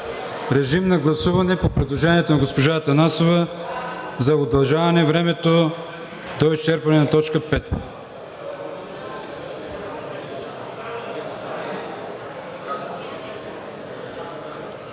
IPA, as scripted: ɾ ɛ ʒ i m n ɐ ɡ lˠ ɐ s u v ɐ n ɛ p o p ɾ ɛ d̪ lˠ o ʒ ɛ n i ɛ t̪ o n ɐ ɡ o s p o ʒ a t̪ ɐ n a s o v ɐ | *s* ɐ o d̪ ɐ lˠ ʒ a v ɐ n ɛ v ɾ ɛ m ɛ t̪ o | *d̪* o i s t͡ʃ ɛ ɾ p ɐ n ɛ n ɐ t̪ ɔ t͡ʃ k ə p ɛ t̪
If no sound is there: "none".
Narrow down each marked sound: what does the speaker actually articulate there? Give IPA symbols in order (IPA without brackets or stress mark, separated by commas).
z, d̪